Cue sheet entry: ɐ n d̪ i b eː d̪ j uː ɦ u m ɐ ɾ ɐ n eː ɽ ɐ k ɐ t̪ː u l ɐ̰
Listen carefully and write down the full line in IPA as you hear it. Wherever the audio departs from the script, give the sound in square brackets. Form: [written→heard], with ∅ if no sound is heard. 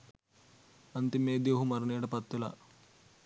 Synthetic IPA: ɐ n [d̪→t̪] i [b→m] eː d̪ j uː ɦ u m ɐ ɾ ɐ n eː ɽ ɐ [k→p] ɐ t̪ː u l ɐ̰